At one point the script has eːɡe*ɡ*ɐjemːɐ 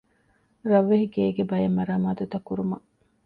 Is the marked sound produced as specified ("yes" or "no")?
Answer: no